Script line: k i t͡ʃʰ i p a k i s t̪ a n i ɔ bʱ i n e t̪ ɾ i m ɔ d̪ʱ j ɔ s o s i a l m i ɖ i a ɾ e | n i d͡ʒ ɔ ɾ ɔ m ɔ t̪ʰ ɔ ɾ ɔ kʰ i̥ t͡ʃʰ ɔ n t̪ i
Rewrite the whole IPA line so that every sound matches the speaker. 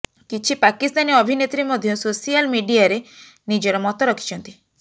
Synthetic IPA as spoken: k i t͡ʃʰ i p a k i s t̪ a n i ɔ bʱ i n e t̪ ɾ i m ɔ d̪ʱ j ɔ s o s i a l m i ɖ i a ɾ e | n i d͡ʒ ɔ ɾ ɔ m ɔ t̪ ɔ ɾ ɔ kʰ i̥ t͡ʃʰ ɔ n t̪ i